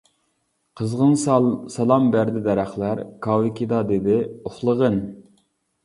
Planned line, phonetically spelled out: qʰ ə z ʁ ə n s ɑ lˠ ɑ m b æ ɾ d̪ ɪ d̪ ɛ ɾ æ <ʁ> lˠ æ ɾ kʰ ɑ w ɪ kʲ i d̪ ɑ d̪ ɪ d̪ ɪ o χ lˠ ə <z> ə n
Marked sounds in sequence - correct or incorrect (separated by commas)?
incorrect, incorrect